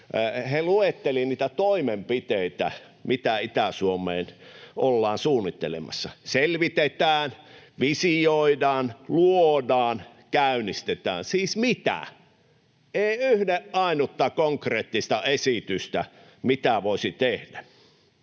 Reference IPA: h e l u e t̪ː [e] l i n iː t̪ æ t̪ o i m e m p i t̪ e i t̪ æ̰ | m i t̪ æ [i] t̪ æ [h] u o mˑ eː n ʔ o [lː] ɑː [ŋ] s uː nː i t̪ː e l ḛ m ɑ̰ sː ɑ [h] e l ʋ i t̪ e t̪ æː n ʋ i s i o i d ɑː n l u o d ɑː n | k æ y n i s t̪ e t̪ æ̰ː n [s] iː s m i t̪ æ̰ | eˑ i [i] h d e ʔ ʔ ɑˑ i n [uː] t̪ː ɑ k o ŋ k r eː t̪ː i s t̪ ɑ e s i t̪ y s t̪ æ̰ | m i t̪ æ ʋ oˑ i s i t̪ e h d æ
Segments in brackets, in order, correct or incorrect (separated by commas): correct, correct, incorrect, correct, incorrect, incorrect, correct, incorrect, incorrect